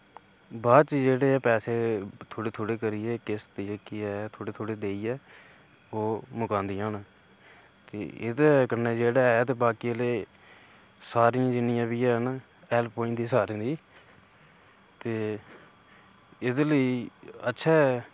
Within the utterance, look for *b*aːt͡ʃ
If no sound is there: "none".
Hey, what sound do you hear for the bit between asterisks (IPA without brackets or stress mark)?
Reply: b